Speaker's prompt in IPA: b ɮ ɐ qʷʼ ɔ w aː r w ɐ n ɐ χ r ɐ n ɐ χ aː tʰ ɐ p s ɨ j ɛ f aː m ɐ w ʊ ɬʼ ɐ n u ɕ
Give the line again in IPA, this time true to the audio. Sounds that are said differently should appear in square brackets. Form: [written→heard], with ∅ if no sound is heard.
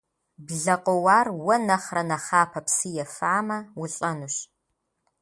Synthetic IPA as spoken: b ɮ ɐ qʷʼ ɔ w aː r w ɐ n ɐ χ r ɐ n ɐ χ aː [tʰ→pʰ] ɐ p s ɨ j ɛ f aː m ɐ w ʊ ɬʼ ɐ n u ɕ

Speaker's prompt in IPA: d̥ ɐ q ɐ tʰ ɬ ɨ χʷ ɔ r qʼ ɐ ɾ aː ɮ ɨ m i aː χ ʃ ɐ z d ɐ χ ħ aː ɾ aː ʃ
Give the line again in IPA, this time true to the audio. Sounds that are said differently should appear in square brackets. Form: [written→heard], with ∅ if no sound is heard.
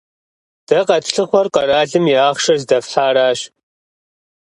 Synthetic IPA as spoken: d̥ ɐ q ɐ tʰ ɬ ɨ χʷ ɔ r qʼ ɐ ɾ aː ɮ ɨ m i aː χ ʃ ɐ z d ɐ [χ→f] ħ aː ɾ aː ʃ

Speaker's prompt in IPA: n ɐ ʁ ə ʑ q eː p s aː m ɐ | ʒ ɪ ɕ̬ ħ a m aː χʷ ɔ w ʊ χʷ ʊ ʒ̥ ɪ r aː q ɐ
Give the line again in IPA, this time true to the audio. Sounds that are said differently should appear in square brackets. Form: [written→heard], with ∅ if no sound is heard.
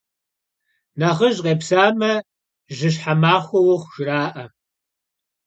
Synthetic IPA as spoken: n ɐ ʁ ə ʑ q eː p s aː m ɐ | ʒ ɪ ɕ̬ ħ a m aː χʷ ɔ w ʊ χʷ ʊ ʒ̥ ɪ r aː [q→ʔ] ɐ

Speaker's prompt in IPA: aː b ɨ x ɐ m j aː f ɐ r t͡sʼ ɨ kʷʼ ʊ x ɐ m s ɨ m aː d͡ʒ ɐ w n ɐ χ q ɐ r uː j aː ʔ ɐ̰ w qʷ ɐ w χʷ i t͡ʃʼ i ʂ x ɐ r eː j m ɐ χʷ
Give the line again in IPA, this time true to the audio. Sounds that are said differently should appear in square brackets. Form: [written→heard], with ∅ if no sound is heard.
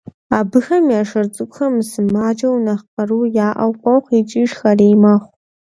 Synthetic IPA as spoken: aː b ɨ x ɐ m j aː [f→ʂ] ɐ r t͡sʼ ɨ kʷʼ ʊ x ɐ m s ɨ m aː d͡ʒ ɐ w n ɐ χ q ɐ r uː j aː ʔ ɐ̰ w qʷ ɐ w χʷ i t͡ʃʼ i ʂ x ɐ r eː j m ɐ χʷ

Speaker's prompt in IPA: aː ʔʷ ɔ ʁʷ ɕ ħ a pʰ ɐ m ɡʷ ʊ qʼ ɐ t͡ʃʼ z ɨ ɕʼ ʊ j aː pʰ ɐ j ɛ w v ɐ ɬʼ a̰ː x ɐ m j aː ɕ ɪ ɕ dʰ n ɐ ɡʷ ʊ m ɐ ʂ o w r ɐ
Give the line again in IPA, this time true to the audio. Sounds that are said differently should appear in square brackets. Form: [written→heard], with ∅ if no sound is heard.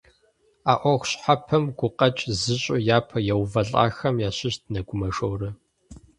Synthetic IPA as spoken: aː ʔʷ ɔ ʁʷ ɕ ħ a pʰ ɐ m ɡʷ ʊ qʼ ɐ t͡ʃʼ z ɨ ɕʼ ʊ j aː pʰ ɐ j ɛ w v ɐ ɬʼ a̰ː x ɐ m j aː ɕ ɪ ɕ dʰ n ɐ ɡʷ ʊ m ɐ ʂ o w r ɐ

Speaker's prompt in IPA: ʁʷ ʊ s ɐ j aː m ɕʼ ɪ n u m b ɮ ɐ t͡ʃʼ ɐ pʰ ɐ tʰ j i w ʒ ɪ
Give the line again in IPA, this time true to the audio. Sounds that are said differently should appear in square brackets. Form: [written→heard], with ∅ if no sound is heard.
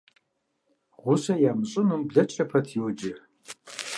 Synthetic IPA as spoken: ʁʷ ʊ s ɐ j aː m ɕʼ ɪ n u m b ɮ ɐ t͡ʃʼ ɐ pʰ ɐ tʰ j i w [ʒ→d͡ʒ] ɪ

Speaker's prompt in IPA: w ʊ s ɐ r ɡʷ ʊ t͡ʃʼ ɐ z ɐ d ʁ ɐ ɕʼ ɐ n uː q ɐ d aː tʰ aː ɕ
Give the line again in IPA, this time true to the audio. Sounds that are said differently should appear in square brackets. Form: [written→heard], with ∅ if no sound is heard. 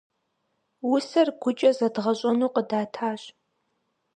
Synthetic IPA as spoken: w ʊ s ɐ r ɡʷ ʊ t͡ʃʼ ɐ z ɐ d ʁ ɐ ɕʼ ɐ n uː q [ɐ→ə] d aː tʰ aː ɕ

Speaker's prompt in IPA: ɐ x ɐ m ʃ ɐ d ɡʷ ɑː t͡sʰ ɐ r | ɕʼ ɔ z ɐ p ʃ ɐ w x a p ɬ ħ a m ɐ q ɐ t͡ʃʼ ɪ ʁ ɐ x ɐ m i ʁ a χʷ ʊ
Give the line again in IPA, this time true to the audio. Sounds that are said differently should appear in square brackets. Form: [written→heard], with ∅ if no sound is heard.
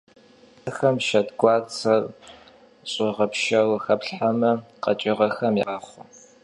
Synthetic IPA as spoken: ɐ x ɐ m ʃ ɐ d ɡʷ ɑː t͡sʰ ɐ r | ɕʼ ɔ [z→ʁ] ɐ p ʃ ɐ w x [a→ɐ] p ɬ ħ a m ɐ q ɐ t͡ʃʼ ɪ ʁ ɐ x ɐ m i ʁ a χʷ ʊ

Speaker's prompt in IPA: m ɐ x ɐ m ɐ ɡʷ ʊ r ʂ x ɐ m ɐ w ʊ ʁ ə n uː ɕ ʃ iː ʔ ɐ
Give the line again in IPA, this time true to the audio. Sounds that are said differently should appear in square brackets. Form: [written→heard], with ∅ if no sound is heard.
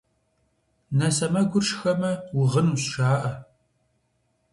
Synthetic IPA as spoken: [m→n] ɐ [x→s] ɐ m ɐ ɡʷ ʊ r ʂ x ɐ m ɐ w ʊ ʁ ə n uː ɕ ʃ [iː→aː] ʔ ɐ

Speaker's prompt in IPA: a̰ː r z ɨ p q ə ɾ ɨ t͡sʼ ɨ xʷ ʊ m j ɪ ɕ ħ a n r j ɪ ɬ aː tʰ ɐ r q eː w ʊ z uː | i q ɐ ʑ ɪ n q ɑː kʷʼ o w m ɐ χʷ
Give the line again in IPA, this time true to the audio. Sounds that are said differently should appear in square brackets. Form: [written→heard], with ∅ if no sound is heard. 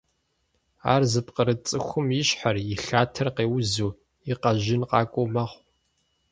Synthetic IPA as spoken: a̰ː r z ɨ p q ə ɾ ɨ t͡sʼ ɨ xʷ ʊ m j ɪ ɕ ħ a [n→∅] r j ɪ ɬ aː tʰ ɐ r q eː w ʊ z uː | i q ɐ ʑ ɪ n q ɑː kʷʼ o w m ɐ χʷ

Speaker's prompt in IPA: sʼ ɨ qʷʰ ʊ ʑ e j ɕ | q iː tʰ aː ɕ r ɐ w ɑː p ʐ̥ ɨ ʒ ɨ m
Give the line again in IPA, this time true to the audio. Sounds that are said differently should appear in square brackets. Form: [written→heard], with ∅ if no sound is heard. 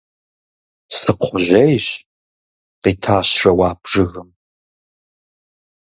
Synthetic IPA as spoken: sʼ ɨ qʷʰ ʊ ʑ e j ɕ | q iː tʰ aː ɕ r ɐ w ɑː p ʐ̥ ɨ [ʒ→ɣ] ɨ m

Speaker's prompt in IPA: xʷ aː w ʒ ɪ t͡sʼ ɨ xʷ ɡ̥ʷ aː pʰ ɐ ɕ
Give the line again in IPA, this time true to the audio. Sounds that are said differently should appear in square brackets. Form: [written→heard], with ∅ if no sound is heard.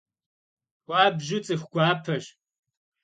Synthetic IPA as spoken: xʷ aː [w→b] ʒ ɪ t͡sʼ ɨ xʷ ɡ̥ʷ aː pʰ ɐ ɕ

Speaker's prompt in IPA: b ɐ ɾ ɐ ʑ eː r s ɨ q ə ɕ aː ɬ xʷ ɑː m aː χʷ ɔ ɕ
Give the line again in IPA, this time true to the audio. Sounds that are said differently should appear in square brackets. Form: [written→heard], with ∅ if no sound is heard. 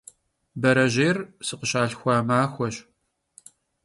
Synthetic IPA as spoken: b ɐ ɾ ɐ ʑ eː r s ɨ q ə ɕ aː ɬ xʷ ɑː m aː [χʷ→xʷ] ɔ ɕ

